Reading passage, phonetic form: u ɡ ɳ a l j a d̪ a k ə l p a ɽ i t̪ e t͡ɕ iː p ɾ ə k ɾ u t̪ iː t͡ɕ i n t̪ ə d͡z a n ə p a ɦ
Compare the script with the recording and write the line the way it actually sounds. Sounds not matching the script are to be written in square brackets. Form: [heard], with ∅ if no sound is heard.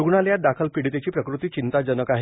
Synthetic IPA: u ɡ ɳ a l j a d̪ a [kʰ] ə l p [i] ɽ i t̪ e t͡ɕ iː p ɾ ə k ɾ u t̪ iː t͡ɕ i n t̪ [a] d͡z [ə] n ə [k] a ɦ